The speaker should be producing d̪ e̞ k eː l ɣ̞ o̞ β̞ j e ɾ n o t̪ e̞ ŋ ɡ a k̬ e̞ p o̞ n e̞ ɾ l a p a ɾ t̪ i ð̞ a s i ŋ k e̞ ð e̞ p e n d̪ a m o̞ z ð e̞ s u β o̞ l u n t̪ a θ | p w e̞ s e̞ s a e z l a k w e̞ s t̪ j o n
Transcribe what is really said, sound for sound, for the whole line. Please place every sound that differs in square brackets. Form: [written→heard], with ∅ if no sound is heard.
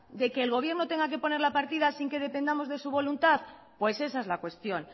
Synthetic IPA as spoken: d̪ e̞ k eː l ɣ̞ o̞ β̞ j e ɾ n o t̪ e̞ ŋ ɡ a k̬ e̞ p o̞ n e̞ ɾ l a p a ɾ t̪ i ð̞ a s i ŋ k e̞ ð e̞ p e n d̪ a m o̞ z ð e̞ s u β o̞ l u n t̪ a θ | p w e̞ s e̞ s a e z l a k w e̞ s t̪ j o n